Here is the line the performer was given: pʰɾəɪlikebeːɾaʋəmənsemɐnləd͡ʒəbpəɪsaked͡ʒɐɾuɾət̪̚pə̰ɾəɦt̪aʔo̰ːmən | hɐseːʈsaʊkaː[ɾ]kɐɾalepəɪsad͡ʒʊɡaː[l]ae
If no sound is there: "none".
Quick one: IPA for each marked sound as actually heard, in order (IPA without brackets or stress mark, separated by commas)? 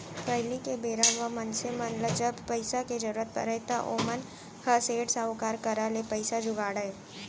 ɾ, ɽ